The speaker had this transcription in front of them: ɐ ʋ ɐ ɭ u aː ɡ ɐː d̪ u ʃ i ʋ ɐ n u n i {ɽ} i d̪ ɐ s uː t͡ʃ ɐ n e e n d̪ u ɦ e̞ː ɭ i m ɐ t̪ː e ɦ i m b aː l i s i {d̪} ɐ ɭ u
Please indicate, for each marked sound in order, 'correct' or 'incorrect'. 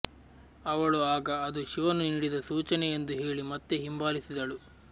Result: correct, correct

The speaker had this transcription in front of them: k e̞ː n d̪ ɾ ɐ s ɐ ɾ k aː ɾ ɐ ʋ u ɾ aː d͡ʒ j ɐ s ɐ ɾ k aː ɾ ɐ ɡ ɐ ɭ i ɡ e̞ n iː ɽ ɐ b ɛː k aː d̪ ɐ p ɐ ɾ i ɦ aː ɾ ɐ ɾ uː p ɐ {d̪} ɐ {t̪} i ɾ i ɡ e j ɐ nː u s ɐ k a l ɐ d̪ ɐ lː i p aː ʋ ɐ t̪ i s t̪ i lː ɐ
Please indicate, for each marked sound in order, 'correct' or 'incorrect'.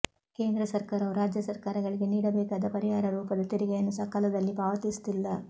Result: correct, correct

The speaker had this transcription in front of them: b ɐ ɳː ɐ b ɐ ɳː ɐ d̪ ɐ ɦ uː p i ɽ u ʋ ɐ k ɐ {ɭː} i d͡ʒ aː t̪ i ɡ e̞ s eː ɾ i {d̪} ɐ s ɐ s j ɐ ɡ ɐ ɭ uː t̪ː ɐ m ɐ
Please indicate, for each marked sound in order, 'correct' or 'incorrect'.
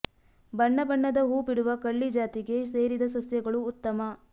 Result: correct, correct

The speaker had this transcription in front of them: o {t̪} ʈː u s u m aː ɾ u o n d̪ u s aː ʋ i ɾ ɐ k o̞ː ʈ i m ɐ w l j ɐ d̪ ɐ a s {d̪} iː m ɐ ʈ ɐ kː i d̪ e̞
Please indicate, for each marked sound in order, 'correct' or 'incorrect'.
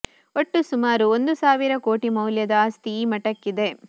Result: incorrect: none, incorrect: t̪

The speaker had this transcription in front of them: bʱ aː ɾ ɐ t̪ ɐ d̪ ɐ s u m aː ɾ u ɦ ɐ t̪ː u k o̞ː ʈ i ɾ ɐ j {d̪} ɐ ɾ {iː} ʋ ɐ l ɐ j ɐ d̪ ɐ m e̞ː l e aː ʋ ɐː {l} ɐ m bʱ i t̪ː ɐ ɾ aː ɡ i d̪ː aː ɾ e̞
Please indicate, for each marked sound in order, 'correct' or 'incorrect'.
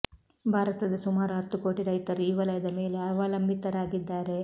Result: incorrect: t̪, correct, correct

